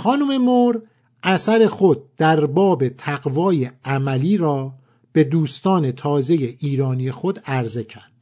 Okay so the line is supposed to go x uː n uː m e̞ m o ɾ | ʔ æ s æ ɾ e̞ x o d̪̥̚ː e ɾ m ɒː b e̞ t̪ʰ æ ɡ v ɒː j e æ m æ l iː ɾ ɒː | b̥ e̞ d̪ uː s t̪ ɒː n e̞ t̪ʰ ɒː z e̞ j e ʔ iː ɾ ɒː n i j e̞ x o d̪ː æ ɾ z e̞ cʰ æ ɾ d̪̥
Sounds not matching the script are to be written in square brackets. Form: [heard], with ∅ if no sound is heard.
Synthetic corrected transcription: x [ɒː] n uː m e̞ m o ɾ | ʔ æ s æ ɾ e̞ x o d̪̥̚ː [æ] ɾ [b] ɒː b e̞ t̪ʰ æ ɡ v ɒː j e æ m æ l iː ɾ ɒː | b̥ e̞ d̪ uː s t̪ ɒː n e̞ t̪ʰ ɒː z e̞ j e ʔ iː ɾ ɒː n i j e̞ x o [d̪] æ ɾ z e̞ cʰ æ ɾ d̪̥